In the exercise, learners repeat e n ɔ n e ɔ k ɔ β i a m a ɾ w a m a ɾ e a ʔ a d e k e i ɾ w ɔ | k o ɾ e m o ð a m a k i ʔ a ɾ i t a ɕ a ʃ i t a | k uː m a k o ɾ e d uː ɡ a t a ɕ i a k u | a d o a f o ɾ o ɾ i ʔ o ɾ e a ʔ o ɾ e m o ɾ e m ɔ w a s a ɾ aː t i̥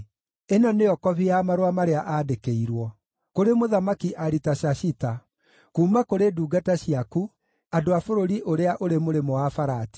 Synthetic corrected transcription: e n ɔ n e ɔ k ɔ β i a m a ɾ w a m a ɾ e a ʔ a d e k e i ɾ w ɔ | k o ɾ e m o ð a m a k i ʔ a ɾ i t a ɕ a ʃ i t a | k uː m a k o ɾ e d uː ɡ a t a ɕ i a k u | a d o a f o ɾ o ɾ i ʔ o ɾ e a ʔ o ɾ e m o ɾ e m ɔ w a f a ɾ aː t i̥